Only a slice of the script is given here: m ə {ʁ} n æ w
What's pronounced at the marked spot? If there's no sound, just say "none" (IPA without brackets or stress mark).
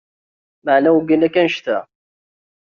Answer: ʕ